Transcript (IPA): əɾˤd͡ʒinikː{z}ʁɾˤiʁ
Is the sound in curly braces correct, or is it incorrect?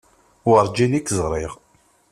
correct